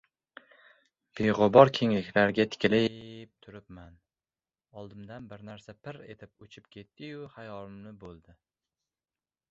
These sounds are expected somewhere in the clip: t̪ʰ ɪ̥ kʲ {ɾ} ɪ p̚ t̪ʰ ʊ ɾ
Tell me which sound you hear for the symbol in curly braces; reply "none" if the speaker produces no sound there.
l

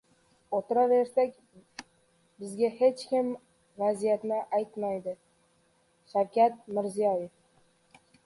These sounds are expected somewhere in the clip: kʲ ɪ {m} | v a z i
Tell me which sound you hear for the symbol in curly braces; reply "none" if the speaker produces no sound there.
m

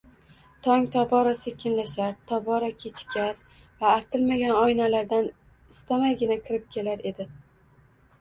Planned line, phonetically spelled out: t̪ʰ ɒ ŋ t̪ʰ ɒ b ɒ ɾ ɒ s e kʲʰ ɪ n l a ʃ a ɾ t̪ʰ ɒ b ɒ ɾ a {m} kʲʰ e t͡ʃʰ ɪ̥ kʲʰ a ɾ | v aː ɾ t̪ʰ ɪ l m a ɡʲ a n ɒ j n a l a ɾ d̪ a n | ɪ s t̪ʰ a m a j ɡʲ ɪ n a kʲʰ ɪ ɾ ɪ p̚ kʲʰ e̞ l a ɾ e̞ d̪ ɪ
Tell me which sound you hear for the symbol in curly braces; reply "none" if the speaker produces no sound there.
none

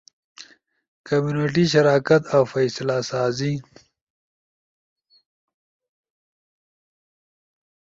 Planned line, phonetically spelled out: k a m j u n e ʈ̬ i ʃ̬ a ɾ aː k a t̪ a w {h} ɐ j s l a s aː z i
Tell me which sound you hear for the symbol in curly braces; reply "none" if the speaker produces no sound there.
f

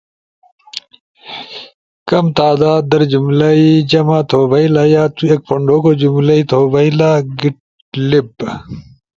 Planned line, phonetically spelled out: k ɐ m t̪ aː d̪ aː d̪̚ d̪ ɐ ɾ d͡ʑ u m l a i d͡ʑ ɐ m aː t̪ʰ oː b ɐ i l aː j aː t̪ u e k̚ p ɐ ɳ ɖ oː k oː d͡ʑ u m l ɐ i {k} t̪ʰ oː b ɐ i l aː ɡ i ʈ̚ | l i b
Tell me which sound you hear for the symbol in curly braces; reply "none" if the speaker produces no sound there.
none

